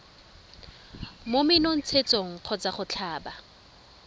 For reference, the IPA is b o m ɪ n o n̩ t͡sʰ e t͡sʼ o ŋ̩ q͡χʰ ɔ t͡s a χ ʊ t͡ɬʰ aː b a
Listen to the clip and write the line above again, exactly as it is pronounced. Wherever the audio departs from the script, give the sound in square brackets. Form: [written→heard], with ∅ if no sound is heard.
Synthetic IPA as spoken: [b→m] o m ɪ n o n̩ t͡sʰ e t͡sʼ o ŋ̩ q͡χʰ ɔ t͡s a χ ʊ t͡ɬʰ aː b a